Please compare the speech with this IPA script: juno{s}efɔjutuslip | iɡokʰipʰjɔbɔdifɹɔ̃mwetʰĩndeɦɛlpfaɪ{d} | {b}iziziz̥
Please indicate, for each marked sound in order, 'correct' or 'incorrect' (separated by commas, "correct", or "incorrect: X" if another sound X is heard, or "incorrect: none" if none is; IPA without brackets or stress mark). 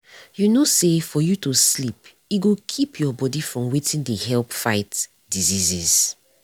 correct, incorrect: t, incorrect: d